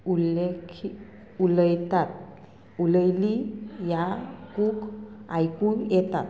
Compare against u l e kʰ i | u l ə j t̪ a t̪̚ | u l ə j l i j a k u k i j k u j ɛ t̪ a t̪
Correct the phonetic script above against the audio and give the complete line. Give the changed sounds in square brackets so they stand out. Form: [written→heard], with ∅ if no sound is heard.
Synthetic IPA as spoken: u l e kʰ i | u l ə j t̪ a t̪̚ | u l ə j l i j a k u k [i→a] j k u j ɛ t̪ a t̪